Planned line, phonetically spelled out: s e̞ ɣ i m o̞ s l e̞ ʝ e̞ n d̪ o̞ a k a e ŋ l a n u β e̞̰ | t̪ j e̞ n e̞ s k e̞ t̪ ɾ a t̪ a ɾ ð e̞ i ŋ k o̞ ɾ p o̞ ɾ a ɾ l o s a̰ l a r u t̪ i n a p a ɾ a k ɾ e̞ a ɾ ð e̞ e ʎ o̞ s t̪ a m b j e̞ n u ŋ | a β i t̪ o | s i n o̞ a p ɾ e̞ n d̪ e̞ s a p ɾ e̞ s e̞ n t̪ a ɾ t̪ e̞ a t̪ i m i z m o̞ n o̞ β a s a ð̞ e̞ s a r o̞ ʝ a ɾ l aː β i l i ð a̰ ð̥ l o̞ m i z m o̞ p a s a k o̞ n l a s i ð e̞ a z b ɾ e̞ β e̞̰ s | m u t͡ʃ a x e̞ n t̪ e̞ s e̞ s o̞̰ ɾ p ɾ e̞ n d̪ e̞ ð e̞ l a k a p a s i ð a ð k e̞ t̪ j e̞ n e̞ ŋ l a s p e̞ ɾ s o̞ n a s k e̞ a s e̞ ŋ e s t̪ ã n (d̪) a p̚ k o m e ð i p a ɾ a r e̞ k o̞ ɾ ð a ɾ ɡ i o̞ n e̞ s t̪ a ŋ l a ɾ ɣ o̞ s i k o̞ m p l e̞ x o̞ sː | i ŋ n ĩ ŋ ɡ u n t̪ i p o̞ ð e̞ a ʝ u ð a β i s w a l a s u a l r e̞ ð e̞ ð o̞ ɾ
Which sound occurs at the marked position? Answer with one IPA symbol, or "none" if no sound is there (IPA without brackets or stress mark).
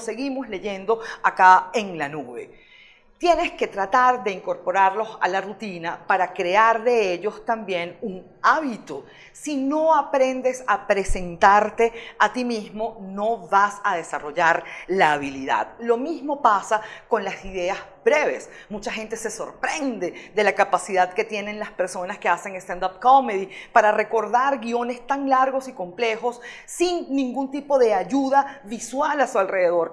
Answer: d̪